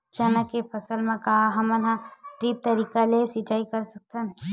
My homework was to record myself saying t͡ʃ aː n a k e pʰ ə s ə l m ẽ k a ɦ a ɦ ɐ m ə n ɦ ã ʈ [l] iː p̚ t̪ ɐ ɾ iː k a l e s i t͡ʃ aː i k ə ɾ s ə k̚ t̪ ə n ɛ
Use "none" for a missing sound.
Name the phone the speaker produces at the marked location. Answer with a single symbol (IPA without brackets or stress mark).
ɾ